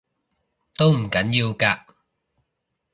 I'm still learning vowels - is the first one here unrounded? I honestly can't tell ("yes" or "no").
no